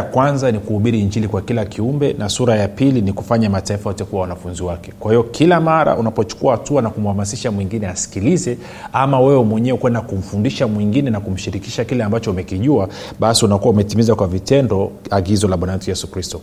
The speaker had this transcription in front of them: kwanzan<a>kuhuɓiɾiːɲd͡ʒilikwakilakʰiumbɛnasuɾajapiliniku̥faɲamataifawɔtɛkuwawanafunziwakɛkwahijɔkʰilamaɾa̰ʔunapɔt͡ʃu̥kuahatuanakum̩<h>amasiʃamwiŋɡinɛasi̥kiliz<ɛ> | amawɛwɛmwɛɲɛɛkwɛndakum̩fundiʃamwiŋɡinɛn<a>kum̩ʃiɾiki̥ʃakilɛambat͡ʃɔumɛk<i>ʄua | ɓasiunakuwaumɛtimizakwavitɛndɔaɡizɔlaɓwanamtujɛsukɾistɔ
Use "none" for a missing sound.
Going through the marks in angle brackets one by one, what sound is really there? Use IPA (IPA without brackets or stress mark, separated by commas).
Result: i, h, ɛ, a, i